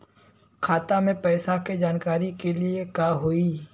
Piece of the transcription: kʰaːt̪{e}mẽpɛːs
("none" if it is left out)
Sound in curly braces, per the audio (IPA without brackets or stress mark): a